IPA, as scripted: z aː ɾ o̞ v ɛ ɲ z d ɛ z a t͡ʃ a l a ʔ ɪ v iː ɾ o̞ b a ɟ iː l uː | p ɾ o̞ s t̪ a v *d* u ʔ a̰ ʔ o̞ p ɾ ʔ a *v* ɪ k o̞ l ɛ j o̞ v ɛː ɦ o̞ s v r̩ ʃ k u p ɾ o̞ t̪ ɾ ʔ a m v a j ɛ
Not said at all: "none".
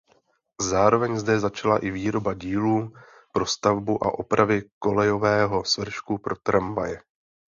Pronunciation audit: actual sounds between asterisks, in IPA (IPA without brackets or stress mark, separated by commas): b, v